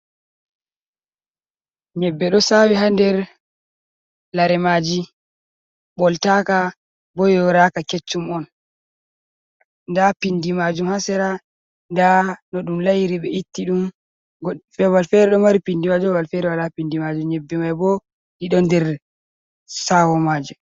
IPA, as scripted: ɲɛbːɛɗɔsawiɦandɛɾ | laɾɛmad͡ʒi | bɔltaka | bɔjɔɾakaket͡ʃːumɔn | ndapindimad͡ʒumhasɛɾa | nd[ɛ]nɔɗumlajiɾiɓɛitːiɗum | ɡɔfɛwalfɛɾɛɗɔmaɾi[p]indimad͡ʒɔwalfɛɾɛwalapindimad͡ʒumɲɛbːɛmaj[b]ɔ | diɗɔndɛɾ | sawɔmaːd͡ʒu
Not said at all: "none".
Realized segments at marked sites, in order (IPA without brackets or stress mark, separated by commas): a, p, b